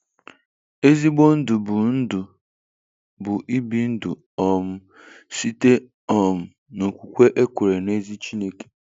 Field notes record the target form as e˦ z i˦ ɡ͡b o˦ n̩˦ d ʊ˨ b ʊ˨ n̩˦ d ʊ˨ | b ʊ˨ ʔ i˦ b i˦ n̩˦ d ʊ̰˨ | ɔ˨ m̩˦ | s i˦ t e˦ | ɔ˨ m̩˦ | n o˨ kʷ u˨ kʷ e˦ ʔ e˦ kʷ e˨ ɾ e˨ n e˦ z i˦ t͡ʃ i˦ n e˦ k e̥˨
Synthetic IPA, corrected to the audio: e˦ z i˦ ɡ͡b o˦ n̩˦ d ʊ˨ b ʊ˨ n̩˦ d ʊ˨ | b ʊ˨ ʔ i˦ b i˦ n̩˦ d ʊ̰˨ | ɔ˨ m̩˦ | s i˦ t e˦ | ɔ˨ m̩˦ | n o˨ kʷ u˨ kʷ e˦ ʔ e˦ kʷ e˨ ɾ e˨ n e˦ z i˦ t͡ʃ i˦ n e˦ k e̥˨